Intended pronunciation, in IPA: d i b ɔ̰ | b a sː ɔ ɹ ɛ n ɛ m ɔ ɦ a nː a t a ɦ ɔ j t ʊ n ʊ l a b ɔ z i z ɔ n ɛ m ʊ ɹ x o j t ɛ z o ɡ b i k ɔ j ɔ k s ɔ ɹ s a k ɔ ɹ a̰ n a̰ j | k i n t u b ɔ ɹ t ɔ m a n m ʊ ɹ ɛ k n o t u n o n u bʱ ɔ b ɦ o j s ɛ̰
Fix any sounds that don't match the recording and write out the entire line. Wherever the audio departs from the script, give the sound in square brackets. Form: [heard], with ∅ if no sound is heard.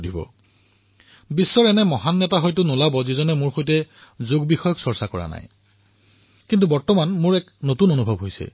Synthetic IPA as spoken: d i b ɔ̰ | b [i] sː ɔ ɹ ɛ n ɛ m ɔ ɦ a nː [ɛ] t a ɦ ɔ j t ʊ n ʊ l a b ɔ z i z ɔ n ɛ m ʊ ɹ x o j t ɛ z o ɡ b i [x] ɔ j ɔ k s ɔ ɹ s a k ɔ ɹ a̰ n a̰ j | k i n t u b ɔ ɹ t ɔ m a n m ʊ ɹ ɛ k n o t u n o n u bʱ ɔ b ɦ o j s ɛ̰